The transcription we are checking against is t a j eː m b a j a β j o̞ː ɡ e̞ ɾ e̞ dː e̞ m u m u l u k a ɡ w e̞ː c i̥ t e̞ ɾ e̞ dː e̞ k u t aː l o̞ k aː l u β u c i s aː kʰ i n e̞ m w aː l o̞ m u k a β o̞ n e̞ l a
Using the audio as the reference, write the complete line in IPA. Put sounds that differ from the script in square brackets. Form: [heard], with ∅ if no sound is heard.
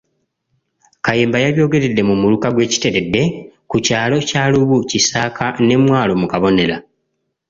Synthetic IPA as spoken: [k] a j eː m b a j a β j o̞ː ɡ e̞ ɾ e̞ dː e̞ m u m u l u k a ɡ w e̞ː c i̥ t e̞ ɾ e̞ dː e̞ k u [c] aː l o̞ [c] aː l u β u c i s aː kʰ [a] n e̞ m w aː l o̞ m u k a β o̞ n e̞ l a